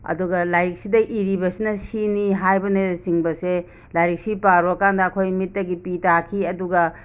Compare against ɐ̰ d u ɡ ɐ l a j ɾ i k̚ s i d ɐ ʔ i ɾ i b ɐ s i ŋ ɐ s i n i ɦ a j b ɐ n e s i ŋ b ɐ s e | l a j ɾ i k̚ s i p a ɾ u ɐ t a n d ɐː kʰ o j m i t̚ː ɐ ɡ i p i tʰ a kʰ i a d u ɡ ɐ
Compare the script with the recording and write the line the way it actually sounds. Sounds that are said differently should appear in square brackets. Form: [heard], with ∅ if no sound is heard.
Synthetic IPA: ɐ̰ d u ɡ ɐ l a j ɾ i k̚ s i d ɐ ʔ i ɾ i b ɐ s i [n] ɐ s i n i ɦ a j b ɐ n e s i ŋ b ɐ s e | l a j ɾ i k̚ s i p a ɾ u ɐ [k] a n d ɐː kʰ o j m i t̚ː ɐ ɡ i p i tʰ a kʰ i [ɐ] d u ɡ ɐ